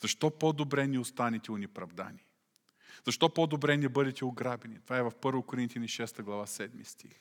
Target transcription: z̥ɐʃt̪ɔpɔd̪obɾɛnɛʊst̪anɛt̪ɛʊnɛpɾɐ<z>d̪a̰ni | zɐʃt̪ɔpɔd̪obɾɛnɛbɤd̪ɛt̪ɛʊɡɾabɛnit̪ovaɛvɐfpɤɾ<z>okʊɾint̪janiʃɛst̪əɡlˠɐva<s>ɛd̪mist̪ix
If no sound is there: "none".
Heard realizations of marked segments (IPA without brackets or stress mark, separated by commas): v, v, s